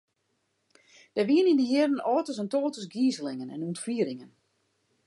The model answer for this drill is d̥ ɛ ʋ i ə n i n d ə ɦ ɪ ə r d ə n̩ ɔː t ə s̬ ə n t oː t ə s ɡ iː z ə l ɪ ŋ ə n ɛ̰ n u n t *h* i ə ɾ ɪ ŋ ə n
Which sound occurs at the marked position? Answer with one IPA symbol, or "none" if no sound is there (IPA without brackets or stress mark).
f